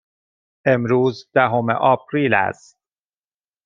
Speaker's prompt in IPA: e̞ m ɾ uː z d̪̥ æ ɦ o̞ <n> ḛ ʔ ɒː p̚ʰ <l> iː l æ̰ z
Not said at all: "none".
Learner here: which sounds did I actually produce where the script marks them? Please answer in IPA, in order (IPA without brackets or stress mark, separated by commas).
m, ɾ